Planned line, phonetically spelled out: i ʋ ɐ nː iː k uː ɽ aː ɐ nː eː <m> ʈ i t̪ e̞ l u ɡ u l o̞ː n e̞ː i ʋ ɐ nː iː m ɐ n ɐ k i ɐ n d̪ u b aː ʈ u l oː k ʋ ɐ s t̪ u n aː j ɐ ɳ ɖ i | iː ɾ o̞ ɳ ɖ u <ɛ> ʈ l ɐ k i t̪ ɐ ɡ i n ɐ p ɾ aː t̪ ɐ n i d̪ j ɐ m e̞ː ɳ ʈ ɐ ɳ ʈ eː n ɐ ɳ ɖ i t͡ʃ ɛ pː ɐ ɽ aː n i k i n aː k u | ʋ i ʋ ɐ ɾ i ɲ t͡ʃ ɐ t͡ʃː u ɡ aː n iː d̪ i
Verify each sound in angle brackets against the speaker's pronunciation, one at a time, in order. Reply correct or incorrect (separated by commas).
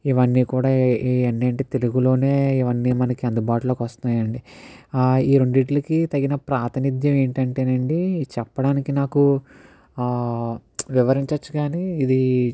incorrect, incorrect